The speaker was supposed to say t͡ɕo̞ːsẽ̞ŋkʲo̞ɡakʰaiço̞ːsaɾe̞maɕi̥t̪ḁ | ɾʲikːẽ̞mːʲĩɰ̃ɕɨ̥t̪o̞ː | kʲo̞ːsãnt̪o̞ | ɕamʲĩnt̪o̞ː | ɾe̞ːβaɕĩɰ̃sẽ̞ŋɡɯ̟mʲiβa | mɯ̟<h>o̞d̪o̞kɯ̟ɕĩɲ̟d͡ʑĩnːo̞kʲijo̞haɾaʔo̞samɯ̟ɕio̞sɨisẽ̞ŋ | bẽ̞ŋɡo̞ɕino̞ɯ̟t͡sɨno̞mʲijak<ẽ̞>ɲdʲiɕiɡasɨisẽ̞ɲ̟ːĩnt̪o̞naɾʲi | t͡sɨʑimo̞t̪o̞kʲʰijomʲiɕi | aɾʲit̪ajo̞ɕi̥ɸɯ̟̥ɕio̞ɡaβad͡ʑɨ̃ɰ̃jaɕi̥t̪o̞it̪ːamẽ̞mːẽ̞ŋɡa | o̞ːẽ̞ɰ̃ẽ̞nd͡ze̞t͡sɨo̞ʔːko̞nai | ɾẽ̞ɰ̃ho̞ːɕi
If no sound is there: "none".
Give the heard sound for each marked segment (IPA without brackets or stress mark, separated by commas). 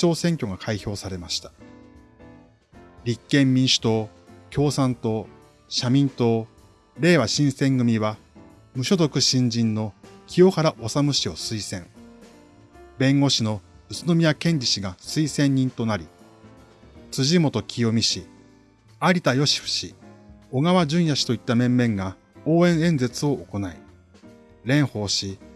ɕ, ẽ̞